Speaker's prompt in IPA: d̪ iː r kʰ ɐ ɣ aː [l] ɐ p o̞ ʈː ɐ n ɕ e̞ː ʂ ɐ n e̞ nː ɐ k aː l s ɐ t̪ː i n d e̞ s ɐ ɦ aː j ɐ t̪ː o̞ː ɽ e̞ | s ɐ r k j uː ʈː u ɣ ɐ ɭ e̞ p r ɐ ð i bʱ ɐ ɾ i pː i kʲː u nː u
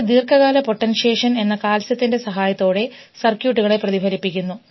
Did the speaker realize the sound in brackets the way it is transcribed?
yes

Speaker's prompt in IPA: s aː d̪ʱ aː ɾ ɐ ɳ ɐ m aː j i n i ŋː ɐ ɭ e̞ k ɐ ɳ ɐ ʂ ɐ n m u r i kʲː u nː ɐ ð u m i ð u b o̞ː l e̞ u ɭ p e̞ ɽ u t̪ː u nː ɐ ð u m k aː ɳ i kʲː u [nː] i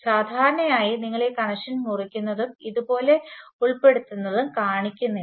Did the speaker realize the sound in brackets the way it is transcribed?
yes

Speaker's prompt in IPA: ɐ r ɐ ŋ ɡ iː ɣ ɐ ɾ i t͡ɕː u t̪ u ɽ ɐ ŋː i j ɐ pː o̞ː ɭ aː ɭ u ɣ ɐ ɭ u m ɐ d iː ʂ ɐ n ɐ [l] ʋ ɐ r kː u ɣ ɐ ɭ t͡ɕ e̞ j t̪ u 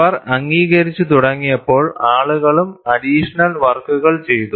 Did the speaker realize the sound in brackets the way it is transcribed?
yes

